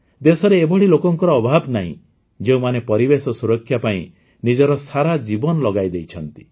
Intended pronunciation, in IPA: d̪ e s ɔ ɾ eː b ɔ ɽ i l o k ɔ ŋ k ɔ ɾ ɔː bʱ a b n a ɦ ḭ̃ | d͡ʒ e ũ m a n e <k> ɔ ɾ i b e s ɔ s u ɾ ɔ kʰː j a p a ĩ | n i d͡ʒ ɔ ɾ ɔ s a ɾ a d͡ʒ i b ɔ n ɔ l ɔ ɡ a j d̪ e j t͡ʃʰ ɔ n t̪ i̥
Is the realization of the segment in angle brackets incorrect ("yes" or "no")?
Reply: yes